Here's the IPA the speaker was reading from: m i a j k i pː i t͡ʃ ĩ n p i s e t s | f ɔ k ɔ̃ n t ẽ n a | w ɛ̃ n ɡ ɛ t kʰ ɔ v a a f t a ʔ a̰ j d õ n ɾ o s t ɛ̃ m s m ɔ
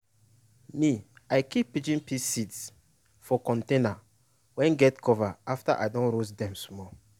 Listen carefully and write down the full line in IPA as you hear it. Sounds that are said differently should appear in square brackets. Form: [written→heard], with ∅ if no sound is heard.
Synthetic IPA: m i a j k i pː i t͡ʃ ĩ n p i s [e→i] t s | f ɔ k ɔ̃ n t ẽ n a | w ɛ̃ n ɡ ɛ t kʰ ɔ v a a f t a ʔ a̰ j d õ n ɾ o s [t→d] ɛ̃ m s m ɔ